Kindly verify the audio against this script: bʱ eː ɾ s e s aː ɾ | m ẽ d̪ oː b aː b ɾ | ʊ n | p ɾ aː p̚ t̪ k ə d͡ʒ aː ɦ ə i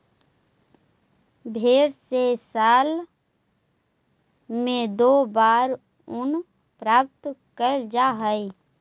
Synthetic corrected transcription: bʱ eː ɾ s e s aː l | m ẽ d̪ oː b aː ɾ | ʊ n | p ɾ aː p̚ t̪ k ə d͡ʒ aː ɦ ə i